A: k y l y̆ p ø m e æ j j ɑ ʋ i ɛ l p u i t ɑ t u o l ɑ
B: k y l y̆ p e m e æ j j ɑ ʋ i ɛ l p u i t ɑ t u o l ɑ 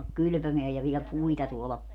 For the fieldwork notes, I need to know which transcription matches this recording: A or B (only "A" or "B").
A